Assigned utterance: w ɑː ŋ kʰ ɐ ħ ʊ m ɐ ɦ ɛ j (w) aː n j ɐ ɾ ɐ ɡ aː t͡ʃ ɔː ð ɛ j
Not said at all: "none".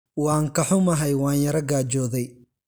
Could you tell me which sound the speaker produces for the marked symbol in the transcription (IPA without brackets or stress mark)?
w